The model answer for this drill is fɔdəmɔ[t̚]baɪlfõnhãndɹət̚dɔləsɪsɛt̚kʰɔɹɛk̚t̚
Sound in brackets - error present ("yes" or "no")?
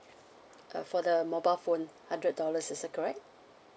yes